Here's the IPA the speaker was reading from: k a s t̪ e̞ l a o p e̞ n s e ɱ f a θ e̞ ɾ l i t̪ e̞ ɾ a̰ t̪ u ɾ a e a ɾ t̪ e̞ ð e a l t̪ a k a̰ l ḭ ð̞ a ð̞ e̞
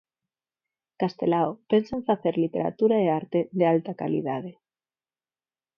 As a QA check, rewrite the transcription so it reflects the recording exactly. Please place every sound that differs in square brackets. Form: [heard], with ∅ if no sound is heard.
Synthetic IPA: k a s t̪ e̞ l a o p e̞ n s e ɱ f a θ e̞ ɾ l i t̪ e̞ ɾ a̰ t̪ u ɾ a e a ɾ t̪ e̞ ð e a l t̪ a k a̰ l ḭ ð̞ a ð̞ e̞